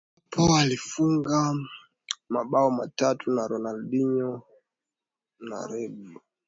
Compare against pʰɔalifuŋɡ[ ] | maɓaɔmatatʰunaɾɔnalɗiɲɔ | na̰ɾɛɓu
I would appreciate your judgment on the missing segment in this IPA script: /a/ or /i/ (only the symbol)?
a